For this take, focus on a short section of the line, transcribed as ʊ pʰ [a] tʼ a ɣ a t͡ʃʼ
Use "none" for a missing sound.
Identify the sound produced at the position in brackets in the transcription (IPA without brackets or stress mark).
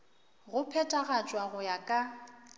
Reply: ɛ